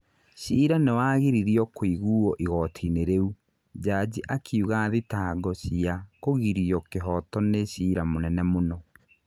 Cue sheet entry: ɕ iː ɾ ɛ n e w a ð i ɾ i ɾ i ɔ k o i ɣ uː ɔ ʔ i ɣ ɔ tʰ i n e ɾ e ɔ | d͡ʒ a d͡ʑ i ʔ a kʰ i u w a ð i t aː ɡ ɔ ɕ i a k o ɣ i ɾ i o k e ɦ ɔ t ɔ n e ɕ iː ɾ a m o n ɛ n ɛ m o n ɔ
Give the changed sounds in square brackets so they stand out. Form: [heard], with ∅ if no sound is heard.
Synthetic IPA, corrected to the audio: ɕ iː ɾ [a] n e w a [ɣ] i ɾ i ɾ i ɔ k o i ɣ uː ɔ ʔ i ɣ ɔ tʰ i n e ɾ e [u] | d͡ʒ a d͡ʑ i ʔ a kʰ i u [ɣ] a ð i t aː ɡ ɔ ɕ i a k o ɣ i ɾ i [ɔ] k e ɦ ɔ t ɔ n e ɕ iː ɾ a m o n ɛ n ɛ m o n ɔ